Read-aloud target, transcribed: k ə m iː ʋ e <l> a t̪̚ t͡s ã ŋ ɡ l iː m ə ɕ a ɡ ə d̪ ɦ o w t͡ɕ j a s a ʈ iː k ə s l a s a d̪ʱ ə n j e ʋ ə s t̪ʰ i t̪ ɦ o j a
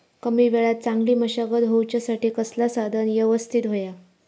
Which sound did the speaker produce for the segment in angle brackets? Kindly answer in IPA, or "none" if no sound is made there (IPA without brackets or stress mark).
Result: ɭ